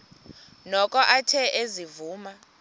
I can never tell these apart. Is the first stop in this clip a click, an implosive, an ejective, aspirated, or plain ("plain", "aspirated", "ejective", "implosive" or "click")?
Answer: ejective